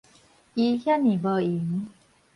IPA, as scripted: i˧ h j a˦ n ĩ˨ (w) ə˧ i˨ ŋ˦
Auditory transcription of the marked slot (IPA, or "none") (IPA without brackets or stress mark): b